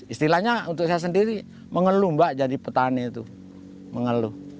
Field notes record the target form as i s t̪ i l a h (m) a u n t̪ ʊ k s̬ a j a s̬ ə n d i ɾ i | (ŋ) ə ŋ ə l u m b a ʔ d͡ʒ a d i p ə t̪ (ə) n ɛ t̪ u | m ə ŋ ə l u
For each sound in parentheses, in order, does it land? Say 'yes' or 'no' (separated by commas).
no, no, no